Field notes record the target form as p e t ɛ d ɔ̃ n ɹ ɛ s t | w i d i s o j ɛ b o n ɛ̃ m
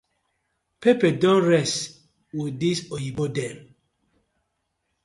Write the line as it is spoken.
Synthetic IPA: p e p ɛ d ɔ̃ n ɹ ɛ s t | w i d i s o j i b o d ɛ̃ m